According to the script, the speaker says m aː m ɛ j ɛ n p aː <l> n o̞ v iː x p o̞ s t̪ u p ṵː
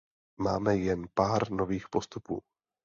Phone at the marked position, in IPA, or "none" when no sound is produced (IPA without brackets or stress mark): ɾ